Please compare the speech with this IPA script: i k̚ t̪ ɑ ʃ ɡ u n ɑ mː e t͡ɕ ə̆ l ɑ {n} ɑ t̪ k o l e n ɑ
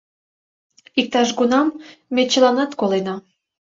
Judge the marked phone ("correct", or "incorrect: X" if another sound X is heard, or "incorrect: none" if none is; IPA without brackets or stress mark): correct